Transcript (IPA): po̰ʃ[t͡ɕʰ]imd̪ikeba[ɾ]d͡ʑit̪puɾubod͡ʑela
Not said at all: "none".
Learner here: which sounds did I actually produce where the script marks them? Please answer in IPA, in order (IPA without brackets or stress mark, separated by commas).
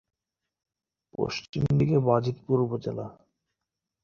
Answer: t͡ɕ, none